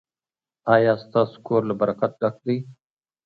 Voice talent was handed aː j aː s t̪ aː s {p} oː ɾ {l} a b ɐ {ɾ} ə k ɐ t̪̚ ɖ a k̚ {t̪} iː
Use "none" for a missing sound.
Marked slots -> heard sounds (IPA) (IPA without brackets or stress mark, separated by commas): k, l, ɾ, d̪